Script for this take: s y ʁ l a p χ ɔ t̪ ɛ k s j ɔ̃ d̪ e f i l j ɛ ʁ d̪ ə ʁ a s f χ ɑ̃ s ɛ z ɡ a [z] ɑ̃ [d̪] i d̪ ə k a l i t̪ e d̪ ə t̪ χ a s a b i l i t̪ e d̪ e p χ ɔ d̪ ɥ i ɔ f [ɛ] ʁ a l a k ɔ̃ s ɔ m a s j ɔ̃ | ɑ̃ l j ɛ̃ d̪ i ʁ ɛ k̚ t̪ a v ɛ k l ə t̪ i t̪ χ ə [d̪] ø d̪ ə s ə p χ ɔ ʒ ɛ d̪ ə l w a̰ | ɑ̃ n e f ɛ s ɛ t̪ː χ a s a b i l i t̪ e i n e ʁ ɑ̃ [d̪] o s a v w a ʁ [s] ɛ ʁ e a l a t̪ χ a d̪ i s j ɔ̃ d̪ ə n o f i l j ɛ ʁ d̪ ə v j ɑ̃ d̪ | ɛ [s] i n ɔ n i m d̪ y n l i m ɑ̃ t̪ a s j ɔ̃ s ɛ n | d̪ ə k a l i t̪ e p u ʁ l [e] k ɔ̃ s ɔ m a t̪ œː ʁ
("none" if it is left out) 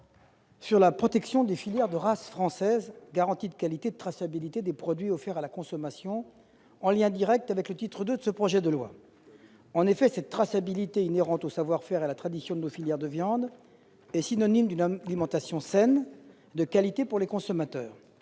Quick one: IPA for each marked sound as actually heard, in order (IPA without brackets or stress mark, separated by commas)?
ʁ, t̪, ɛ, d̪, t̪, f, s, e